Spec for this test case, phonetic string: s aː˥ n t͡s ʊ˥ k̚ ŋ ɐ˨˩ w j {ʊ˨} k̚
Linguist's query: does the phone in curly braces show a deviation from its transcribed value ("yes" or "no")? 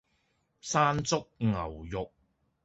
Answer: no